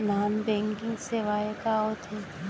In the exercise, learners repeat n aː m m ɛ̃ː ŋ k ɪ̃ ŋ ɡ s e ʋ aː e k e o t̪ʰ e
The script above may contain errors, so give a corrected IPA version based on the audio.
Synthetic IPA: n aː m b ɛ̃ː ŋ k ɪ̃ ŋ ɡ s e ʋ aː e k a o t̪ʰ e